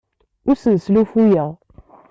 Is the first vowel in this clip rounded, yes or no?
yes